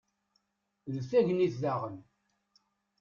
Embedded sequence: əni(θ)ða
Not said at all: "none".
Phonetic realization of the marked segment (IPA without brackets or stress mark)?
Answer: θ